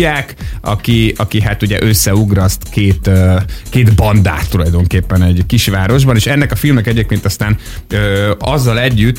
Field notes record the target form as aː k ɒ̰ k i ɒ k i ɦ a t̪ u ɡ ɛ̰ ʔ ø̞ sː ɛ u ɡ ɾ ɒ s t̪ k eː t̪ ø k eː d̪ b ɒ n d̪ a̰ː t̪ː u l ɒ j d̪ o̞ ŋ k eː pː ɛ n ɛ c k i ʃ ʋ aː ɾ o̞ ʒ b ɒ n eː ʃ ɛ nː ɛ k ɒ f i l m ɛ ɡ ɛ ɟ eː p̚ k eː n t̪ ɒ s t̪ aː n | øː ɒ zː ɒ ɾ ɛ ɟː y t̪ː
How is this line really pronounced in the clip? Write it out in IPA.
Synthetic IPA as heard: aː k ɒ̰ k i ɒ k i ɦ a t̪ u ɟ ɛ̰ ʔ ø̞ sː ɛ u ɡ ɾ ɒ s t̪ k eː t̪ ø k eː d̪ b ɒ n d̪ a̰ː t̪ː u l ɒ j d̪ o̞ ŋ k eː pː ɛ n ɛ ɟ k i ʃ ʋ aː ɾ o̞ ʒ b ɒ n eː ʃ ɛ nː ɛ k ɒ f i l m ɛ k ɛ ɟ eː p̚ k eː n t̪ ɒ s t̪ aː n | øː ɒ zː ɒ l ɛ ɟː y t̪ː